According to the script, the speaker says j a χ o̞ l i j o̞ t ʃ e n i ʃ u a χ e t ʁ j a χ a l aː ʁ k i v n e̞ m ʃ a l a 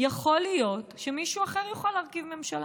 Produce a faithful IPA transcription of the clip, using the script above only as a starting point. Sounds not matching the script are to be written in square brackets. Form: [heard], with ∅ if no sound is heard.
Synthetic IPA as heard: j a χ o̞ l i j o̞ t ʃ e [m] i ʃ u a χ e [∅] ʁ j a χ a l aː ʁ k i v [m] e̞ m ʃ a l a

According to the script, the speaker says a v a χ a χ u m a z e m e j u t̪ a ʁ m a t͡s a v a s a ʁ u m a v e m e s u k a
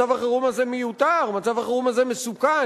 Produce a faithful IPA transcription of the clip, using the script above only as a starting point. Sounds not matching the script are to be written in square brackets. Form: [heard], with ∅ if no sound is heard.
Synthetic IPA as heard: a v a χ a [ʁ] u m a z e m e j u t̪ a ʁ m a t͡s a v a [χ] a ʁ u m a [z] e m e s u k a

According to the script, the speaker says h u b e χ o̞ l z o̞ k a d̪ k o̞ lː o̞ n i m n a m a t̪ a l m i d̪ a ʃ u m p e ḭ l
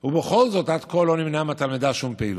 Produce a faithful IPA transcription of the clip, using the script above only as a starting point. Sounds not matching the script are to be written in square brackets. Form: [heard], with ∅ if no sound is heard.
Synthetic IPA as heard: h u b e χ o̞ l z o̞ [t] a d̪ k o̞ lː o̞ n i m n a m a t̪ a l m i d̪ a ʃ u m p e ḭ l

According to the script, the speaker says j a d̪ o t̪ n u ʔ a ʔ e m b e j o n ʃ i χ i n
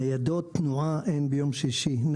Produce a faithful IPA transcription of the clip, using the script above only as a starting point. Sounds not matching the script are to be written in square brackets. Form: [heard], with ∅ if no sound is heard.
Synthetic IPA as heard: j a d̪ o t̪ n u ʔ a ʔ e [n] b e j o [m] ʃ i [ʃ] i n

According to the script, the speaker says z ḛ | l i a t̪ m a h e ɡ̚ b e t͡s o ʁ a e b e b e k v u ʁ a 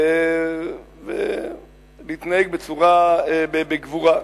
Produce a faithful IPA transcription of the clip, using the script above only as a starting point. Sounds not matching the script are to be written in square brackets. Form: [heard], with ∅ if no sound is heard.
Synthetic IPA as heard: [v] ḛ | l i [i] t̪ [n] a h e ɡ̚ b e t͡s [u] ʁ a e b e b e [ɡ] v u ʁ a

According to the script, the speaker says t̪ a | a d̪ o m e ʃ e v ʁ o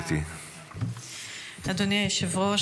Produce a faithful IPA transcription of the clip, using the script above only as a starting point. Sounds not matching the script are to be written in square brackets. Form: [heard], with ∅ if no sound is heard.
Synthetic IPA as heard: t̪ [i] | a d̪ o [n] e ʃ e v ʁ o

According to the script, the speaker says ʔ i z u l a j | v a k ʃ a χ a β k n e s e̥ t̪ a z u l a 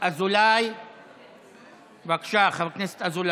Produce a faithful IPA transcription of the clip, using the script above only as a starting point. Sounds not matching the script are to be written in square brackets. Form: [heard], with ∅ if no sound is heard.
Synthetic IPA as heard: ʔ [a] z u l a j | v a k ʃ a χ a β k n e s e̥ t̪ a z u l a

